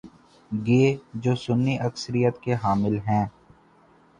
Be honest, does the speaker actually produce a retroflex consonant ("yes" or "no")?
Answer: no